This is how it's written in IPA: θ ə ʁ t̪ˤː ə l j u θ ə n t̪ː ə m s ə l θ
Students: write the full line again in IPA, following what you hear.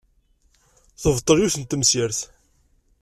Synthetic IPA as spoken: θ ə v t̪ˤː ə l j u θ ə n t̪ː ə m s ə ɾ θ